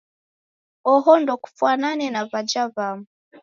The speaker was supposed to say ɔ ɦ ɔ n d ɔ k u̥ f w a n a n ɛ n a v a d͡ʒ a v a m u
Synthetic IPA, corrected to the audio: ɔ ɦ ɔ n d ɔ k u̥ f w a n a n ɛ n a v a d͡ʒ a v a m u